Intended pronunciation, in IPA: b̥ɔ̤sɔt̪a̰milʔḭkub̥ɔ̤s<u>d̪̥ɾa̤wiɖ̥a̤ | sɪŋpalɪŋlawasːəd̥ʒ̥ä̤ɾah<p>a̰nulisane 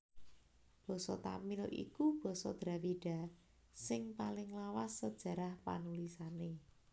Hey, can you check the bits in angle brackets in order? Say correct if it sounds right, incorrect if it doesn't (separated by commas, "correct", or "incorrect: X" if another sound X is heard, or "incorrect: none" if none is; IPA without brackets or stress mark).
incorrect: ɔ, correct